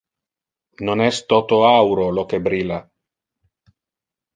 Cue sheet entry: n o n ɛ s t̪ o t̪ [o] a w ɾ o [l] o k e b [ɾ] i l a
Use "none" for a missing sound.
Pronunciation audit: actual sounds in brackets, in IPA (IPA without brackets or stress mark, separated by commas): o, l, ɾ